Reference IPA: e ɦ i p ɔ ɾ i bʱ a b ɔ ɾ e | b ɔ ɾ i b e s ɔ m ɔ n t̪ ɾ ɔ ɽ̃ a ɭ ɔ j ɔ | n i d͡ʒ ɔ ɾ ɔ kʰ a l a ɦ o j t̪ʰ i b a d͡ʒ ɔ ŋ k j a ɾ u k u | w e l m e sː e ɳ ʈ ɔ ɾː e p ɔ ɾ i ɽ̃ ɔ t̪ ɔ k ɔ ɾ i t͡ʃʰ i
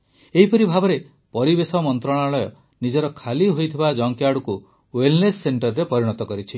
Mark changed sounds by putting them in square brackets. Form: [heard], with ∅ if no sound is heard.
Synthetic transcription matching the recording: e ɦ i p ɔ ɾ i bʱ a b ɔ ɾ e | [p] ɔ ɾ i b e s ɔ m ɔ n t̪ ɾ ɔ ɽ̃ a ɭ ɔ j ɔ | n i d͡ʒ ɔ ɾ ɔ kʰ a l [i] ɦ o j t̪ʰ i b a d͡ʒ ɔ ŋ k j a [ɽ] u k u | w e l [n] e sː e ɳ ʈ ɔ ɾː e p ɔ ɾ i ɽ̃ ɔ t̪ ɔ k ɔ ɾ i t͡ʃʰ i